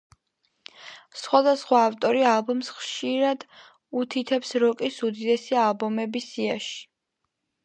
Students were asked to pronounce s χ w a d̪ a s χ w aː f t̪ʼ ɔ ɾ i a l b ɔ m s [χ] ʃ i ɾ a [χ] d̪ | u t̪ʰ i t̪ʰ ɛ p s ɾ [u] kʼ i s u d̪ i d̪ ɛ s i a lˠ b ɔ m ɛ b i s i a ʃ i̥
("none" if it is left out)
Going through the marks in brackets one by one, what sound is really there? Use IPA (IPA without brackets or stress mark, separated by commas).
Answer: χ, none, ɔ